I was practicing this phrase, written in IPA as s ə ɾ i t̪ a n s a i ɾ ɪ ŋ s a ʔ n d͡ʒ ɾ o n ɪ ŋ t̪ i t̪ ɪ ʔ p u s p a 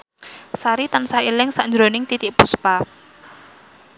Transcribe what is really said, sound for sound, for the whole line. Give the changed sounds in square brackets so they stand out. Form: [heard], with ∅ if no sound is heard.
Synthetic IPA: s [a] ɾ i t̪ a n s a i [l] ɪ ŋ s a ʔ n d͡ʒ ɾ o n ɪ ŋ t̪ i t̪ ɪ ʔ p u s p a

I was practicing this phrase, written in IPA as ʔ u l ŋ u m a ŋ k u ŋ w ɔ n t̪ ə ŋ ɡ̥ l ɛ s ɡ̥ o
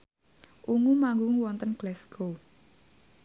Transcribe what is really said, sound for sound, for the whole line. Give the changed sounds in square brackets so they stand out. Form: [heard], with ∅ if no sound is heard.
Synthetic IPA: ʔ u [∅] ŋ u m a ŋ [ɡ] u ŋ w ɔ n t̪ ə [n] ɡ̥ l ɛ s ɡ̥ o

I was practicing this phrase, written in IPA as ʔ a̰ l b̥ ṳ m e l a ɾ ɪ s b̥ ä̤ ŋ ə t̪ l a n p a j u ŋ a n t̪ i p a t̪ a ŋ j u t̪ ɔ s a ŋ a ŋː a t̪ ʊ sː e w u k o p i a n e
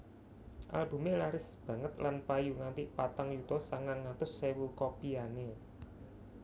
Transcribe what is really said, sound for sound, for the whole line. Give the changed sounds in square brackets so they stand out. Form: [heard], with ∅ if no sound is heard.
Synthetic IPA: ʔ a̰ l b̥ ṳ m e l a ɾ ɪ s b̥ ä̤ ŋ ə t̪ l a n p a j u ŋ a n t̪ i p a t̪ a ŋ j u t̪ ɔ s a ŋ a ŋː a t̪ ʊ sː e w u k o p i a n e

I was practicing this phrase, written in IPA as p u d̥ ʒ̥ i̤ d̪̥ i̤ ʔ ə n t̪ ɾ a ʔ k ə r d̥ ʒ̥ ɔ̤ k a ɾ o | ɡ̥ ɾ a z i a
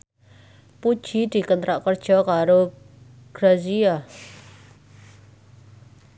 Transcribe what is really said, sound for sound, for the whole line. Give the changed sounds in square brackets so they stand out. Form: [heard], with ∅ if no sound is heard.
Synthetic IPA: p u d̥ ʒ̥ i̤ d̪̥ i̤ [k] ə n t̪ ɾ a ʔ k ə r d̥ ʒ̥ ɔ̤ k a ɾ o | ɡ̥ ɾ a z i a

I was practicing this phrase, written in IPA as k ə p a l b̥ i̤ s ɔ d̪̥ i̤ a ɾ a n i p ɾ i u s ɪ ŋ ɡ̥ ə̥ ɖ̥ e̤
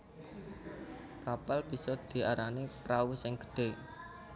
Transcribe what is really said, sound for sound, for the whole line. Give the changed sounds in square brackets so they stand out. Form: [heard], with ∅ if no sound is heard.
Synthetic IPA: k [a] p a l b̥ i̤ s ɔ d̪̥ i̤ a ɾ a n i p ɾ [a] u s ɪ ŋ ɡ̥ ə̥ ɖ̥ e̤

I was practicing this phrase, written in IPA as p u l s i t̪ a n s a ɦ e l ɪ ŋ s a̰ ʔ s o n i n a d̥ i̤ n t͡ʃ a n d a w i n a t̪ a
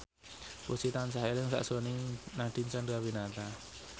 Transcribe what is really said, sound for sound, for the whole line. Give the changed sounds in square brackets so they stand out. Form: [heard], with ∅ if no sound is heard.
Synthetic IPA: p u [∅] s i t̪ a n s a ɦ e l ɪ ŋ s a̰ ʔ s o n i n a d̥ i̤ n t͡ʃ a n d a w i n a t̪ a

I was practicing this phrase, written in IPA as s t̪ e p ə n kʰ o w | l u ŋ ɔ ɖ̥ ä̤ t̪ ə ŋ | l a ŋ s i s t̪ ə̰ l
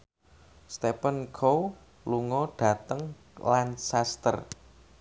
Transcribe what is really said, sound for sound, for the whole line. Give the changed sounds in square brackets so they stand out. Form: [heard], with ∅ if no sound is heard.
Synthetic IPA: s t̪ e p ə n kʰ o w | l u ŋ ɔ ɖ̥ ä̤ t̪ ə ŋ | l a [n] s [a] s t̪ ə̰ [r]

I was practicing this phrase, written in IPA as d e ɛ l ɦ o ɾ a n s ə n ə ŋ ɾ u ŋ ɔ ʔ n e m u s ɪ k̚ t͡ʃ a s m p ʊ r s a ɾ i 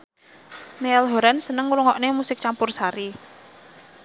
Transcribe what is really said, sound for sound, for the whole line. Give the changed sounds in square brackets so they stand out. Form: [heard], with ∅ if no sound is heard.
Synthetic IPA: [n] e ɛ l ɦ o ɾ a n s ə n ə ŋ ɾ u ŋ ɔ ʔ n e m u s ɪ k̚ t͡ʃ a [∅] m p ʊ r s a ɾ i

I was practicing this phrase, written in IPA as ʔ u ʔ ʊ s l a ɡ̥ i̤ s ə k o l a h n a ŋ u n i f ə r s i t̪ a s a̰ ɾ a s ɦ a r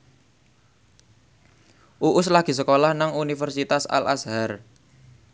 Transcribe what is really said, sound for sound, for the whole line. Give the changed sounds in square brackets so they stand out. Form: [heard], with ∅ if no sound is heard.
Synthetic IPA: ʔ u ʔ ʊ s l a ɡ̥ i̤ s ə k o l a h n a ŋ u n i f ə r s i t̪ a s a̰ [l] a s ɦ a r

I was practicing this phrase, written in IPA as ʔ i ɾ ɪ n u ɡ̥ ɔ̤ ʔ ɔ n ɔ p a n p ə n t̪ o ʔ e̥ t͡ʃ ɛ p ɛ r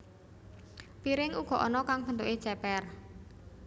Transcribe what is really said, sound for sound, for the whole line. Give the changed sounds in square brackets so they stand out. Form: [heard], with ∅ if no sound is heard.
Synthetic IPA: [p] i ɾ ɪ [ŋ] u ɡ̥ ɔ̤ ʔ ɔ n ɔ [k] a [ŋ] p ə n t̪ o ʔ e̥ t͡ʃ ɛ p ɛ r

